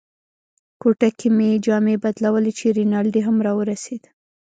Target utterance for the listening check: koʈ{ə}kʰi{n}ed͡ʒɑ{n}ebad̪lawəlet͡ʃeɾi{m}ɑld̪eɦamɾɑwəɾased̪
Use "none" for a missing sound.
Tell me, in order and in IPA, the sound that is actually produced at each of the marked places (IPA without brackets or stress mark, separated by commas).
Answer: a, m, m, n